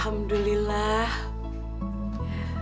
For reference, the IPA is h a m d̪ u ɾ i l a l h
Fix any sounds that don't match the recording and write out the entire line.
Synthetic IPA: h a m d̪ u l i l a h